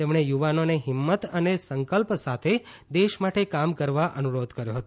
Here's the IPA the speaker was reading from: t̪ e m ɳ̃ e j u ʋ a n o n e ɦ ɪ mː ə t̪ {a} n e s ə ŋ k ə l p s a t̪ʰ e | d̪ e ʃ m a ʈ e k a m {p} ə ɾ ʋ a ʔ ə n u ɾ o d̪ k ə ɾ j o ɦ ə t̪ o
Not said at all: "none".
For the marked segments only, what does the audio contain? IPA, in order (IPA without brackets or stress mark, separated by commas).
ə, k